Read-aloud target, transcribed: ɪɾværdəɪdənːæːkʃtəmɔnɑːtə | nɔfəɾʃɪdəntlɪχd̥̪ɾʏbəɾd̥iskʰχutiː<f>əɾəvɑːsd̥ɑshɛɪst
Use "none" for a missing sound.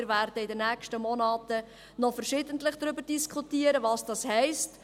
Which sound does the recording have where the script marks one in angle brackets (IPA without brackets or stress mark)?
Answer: none